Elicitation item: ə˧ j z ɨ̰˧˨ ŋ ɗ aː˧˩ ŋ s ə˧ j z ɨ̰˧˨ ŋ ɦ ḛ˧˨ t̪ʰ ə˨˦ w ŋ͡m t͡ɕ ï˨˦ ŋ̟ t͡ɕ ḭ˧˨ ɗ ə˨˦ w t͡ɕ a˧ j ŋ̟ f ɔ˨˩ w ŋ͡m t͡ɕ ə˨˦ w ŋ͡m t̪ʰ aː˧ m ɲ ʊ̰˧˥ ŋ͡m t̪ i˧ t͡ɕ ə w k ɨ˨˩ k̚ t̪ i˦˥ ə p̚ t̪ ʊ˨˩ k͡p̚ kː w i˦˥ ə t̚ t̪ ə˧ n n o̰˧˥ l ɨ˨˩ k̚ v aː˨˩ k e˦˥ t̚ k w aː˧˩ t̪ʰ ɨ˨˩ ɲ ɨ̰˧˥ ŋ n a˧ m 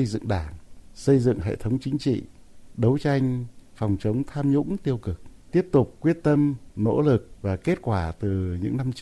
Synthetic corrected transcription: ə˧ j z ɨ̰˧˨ ŋ ɗ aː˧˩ ŋ s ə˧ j z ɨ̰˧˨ ŋ ɦ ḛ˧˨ t̪ʰ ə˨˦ w ŋ͡m t͡ɕ ï˨˦ ŋ̟ t͡ɕ ḭ˧˨ ɗ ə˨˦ w t͡ɕ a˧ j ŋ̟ f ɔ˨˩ w ŋ͡m t͡ɕ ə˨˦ w ŋ͡m t̪ʰ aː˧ m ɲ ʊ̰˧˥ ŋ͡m t̪ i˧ ə w k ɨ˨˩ k̚ t̪ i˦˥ ə p̚ t̪ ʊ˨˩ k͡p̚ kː w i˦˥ ə t̚ t̪ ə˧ m n o̰˧˥ l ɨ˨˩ k̚ v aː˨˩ k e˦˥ t̚ k w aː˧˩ t̪ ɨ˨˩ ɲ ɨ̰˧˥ ŋ n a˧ m